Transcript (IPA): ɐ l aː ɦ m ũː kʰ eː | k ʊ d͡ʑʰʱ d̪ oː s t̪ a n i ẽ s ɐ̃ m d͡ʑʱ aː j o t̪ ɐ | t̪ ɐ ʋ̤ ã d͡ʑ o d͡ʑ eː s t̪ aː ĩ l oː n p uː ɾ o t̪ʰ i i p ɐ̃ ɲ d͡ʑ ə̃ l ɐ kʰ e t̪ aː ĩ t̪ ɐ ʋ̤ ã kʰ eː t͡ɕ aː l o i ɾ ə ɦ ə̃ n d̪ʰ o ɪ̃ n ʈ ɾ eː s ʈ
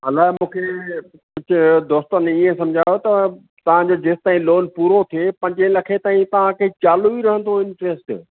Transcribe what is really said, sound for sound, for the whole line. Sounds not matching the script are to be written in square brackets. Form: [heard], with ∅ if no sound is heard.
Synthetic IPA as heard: ɐ l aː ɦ m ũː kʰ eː | k ʊ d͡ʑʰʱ d̪ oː s t̪ [ə] n i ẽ s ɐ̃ m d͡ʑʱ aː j o t̪ ɐ | t̪ ɐ ʋ̤ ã d͡ʑ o d͡ʑ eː s t̪ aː ĩ l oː n p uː ɾ o t̪ʰ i [e] p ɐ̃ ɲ d͡ʑ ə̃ l ɐ kʰ e t̪ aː ĩ t̪ ɐ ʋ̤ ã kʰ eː t͡ɕ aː l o i ɾ [ɐ] ɦ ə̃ n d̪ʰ o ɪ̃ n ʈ ɾ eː s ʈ